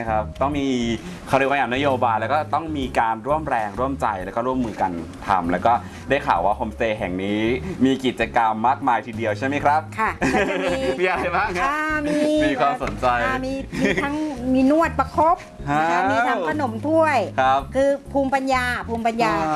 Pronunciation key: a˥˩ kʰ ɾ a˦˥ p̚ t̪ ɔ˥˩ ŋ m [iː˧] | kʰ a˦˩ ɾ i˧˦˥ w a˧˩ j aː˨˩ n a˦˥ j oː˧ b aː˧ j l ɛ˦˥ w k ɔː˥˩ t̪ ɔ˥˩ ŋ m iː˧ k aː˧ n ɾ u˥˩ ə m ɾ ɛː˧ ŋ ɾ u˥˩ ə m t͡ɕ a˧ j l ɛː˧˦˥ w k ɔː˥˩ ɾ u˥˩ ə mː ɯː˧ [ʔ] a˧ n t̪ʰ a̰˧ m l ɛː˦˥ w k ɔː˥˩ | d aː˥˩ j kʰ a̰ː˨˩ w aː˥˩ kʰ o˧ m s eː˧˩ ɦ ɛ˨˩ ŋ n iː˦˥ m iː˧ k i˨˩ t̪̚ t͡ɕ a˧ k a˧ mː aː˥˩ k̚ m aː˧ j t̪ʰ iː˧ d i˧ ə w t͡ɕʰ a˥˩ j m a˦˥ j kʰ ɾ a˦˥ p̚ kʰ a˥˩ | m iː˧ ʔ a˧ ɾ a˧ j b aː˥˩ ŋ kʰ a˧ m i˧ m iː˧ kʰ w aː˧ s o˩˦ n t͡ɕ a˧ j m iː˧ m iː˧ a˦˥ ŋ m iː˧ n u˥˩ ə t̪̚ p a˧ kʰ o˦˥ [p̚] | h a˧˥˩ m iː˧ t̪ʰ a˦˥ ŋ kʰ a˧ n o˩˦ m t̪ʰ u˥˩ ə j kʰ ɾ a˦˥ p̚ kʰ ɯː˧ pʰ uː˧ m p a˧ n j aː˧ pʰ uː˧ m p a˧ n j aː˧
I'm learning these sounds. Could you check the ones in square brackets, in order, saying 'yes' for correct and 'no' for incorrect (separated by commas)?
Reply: yes, no, yes